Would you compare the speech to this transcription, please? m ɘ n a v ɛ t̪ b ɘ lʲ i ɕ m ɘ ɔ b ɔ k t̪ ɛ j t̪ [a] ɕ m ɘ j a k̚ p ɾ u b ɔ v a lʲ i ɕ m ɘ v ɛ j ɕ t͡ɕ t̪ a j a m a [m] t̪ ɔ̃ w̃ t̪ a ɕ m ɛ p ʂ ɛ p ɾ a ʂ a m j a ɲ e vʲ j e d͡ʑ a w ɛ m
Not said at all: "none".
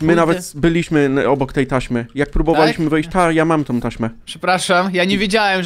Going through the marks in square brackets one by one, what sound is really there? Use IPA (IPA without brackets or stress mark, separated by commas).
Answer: a, m